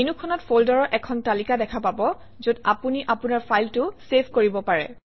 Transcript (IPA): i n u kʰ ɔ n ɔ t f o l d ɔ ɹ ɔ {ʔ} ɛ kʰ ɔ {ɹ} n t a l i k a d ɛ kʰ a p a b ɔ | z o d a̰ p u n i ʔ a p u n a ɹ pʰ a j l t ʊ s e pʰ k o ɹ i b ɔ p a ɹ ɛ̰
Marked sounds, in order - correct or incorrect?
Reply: correct, incorrect: none

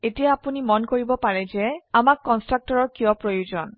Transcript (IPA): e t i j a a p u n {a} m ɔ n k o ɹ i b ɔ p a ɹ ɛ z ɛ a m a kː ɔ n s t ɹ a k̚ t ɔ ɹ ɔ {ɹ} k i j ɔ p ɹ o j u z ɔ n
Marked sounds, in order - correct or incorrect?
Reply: incorrect: i, correct

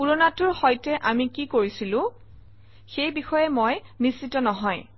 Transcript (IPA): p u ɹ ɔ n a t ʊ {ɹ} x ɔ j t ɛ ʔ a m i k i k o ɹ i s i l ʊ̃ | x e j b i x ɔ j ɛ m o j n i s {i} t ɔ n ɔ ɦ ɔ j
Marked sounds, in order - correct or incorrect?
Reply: correct, correct

